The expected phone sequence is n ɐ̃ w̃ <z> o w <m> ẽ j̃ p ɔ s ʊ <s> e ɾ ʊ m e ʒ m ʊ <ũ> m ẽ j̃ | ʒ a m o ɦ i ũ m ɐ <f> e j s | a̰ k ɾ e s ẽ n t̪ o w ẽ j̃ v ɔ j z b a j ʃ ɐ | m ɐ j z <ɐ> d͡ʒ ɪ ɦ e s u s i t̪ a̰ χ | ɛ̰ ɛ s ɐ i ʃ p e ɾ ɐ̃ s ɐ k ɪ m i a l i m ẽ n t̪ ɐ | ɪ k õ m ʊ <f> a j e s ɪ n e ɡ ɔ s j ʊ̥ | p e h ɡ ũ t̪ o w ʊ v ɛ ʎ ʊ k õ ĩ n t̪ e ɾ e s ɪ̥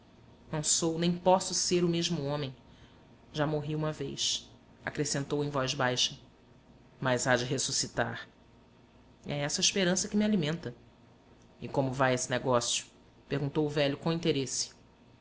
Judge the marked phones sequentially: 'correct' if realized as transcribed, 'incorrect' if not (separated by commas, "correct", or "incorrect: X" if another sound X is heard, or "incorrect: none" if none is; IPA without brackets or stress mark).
incorrect: s, incorrect: n, correct, incorrect: õ, incorrect: v, incorrect: a, incorrect: v